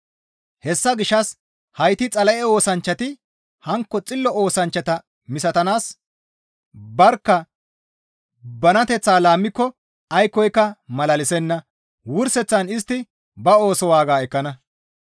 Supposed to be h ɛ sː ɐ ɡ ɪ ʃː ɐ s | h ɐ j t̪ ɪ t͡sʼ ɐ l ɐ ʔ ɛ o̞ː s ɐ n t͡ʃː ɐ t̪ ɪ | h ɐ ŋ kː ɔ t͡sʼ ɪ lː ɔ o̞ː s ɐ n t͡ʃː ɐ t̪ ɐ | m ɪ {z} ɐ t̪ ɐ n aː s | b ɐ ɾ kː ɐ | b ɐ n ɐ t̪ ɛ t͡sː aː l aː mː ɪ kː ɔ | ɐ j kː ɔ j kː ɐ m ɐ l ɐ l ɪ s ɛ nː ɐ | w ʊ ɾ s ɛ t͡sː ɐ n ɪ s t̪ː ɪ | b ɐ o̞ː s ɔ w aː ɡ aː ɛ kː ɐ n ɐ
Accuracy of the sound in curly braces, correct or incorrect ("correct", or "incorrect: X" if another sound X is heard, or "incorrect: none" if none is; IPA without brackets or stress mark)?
incorrect: s